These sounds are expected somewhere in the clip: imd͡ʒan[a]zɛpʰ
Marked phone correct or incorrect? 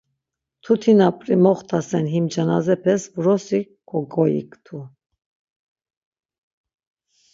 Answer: correct